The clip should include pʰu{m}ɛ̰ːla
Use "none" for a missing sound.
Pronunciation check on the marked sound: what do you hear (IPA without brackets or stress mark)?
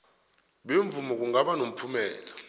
m